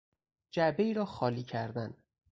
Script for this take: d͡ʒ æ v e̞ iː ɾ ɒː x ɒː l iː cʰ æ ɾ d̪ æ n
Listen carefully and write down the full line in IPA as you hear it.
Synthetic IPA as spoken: d͡ʒ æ b e̞ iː ɾ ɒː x ɒː l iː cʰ æ ɾ d̪ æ n